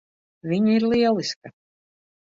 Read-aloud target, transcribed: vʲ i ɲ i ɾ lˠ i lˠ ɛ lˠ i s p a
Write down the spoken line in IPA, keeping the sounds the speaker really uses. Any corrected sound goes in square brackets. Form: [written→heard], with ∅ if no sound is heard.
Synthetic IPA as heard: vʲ i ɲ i ɾ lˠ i [lˠ→∅] ɛ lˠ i s [p→k] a